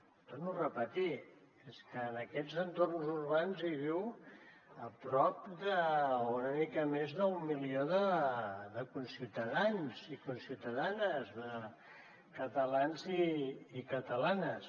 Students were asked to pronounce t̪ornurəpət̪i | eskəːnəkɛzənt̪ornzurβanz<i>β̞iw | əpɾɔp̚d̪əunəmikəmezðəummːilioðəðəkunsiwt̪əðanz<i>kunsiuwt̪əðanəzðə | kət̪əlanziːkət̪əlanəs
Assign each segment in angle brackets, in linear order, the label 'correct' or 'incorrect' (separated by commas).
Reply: correct, correct